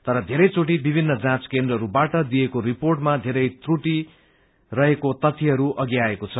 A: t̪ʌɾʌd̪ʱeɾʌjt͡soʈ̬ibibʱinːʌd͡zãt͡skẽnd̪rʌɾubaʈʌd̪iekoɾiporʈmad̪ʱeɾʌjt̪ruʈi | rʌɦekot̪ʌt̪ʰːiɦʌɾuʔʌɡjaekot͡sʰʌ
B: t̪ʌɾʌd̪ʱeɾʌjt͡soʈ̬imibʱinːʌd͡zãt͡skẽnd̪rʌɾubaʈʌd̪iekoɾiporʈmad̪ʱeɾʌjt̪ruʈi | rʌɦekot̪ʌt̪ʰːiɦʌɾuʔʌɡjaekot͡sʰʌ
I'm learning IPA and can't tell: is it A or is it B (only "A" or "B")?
A